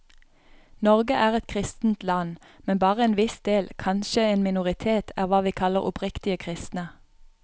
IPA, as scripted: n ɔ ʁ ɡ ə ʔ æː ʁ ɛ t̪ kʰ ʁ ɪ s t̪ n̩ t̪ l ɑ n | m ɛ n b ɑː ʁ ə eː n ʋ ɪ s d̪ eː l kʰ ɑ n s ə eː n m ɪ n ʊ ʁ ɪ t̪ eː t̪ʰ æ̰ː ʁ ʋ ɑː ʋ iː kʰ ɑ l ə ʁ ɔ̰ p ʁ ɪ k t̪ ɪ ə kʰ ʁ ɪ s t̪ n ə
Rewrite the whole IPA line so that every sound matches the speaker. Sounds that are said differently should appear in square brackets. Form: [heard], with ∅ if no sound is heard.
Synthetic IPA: n ɔ ʁ ɡ ə ʔ æː ʁ ɛ t̪ kʰ ʁ ɪ s t̪ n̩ t̪ l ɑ n | m ɛ n b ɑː ʁ ə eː n ʋ ɪ s d̪ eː l kʰ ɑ n [ʃ] ə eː n m ɪ n ʊ ʁ ɪ [t̪ʰ] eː t̪ʰ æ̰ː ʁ ʋ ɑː ʋ iː kʰ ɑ l ə ʁ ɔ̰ p ʁ ɪ k t̪ ɪ ə kʰ ʁ ɪ s t̪ n ə